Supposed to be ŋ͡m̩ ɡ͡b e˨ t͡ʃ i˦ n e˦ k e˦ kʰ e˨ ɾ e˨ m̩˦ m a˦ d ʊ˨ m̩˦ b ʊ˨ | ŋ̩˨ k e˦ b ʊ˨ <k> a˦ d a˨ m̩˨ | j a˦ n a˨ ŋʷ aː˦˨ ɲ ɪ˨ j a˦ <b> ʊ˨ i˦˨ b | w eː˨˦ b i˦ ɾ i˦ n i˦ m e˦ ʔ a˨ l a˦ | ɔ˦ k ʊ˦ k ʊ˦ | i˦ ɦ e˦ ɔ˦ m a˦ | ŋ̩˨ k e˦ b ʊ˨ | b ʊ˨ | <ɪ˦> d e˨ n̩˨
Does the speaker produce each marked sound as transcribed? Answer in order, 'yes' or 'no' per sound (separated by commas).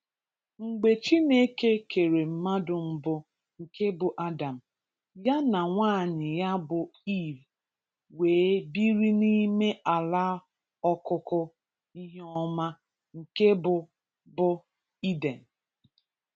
no, yes, no